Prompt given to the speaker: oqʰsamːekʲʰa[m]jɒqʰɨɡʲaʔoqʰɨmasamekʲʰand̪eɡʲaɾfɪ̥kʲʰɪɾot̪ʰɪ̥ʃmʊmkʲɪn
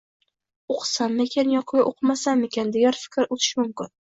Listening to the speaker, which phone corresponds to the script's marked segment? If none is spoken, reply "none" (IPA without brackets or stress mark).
n